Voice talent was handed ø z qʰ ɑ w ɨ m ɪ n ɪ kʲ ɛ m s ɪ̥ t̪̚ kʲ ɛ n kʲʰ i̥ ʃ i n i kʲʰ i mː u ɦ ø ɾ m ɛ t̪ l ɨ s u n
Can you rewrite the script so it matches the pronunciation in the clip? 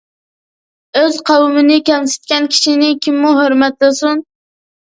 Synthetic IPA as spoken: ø z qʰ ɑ w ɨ m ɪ n ɪ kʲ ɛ m s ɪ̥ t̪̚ kʲ ɛ n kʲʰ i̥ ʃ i n ɪ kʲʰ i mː u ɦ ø ɾ m ɛ t̪ l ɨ s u n